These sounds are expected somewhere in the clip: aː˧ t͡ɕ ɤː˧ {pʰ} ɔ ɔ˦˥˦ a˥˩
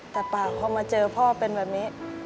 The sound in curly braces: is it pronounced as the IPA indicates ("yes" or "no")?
yes